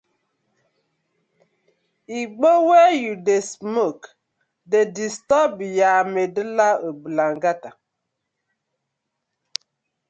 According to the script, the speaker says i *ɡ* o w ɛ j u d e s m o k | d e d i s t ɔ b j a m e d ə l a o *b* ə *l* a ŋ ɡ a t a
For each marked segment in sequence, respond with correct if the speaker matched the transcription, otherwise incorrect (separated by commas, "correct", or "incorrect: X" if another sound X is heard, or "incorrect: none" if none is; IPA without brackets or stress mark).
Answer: incorrect: ɡ͡b, correct, correct